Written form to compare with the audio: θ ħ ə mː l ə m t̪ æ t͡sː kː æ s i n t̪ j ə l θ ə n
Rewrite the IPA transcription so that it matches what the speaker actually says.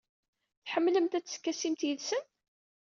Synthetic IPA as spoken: θ ħ ə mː l ə m t̪ æ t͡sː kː æ s i m t̪ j ə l s ə n